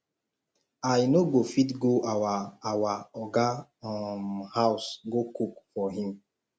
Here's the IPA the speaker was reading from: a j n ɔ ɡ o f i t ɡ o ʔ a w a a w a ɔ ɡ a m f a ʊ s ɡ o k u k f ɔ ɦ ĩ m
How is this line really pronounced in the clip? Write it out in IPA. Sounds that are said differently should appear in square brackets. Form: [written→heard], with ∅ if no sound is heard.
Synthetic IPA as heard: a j n [ɔ→o] ɡ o f i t ɡ o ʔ a w a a w a ɔ ɡ a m [f→h] a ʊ s ɡ o k u k f ɔ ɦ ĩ m